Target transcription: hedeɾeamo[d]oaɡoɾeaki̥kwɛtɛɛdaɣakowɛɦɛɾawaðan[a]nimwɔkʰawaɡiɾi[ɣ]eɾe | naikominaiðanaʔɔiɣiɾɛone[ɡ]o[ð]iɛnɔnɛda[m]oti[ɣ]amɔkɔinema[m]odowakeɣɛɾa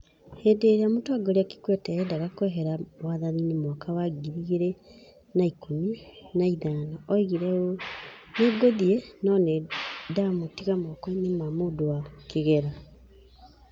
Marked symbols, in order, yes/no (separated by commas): no, no, yes, yes, yes, yes, yes, yes